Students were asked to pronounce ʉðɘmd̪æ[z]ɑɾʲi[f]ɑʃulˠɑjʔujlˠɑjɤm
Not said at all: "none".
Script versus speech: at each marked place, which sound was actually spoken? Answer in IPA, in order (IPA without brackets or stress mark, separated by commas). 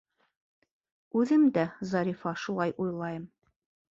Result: z, f